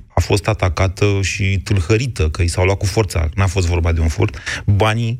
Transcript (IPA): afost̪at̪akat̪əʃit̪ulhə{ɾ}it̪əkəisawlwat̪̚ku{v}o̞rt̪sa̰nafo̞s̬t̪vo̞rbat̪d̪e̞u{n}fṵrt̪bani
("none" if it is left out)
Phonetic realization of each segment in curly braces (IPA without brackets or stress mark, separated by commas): ɾ, f, n